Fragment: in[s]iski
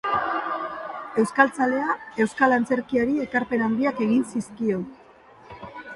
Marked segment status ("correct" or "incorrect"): correct